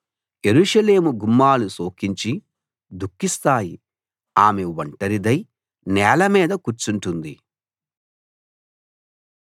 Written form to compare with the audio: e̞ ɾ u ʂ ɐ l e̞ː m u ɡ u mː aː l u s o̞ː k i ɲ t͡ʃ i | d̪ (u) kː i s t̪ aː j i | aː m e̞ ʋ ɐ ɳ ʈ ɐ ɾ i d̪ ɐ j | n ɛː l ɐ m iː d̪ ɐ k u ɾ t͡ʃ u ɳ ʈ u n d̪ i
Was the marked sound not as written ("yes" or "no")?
no